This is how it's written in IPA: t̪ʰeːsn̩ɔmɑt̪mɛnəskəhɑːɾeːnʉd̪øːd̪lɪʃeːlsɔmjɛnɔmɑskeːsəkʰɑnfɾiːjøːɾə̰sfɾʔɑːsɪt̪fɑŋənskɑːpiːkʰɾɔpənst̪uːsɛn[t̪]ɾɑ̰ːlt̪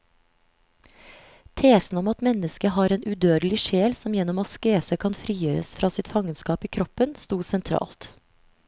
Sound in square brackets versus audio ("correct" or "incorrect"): incorrect